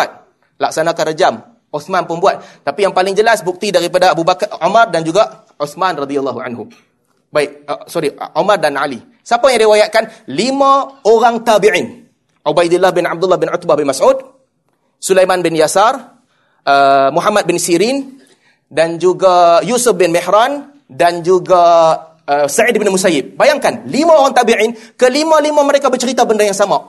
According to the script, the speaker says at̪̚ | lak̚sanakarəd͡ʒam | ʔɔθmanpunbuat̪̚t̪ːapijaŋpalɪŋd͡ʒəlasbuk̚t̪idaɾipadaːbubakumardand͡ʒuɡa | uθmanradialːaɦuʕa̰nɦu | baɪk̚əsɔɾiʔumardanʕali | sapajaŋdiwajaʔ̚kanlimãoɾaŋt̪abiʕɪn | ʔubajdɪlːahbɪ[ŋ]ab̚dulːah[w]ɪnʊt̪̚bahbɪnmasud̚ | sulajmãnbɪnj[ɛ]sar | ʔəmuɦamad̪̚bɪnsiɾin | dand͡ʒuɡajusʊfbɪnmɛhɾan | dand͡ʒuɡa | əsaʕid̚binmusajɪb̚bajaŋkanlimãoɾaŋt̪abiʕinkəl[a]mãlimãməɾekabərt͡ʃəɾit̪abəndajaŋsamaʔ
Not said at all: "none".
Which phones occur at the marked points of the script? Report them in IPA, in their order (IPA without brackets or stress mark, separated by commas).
n, b, a, i